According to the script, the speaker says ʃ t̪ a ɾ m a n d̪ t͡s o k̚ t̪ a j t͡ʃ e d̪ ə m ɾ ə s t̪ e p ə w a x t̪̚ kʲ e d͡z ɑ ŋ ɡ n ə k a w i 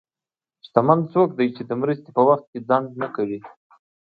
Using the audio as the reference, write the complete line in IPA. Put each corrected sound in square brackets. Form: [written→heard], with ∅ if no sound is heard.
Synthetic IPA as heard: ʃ t̪ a [ɾ→∅] m a n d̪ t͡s o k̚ [t̪→d̪] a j t͡ʃ e d̪ ə m ɾ ə s t̪ e p ə w a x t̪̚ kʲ e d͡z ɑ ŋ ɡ n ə k a w i